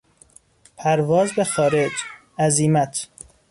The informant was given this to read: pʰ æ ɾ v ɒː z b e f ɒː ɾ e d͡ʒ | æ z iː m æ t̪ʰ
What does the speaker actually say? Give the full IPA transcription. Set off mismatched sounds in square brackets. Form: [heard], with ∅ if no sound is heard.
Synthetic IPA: pʰ æ ɾ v ɒː z b e [x] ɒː ɾ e d͡ʒ | æ z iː m æ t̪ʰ